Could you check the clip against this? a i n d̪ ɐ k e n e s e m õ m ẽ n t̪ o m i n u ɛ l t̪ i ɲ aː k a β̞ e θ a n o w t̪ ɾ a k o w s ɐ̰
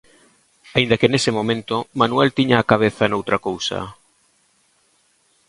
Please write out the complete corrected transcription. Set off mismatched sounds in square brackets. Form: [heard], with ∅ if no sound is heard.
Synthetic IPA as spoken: a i n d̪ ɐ k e n e s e m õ m ẽ n t̪ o m [a] n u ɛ l t̪ i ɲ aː k a β̞ e θ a n o w t̪ ɾ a k o w s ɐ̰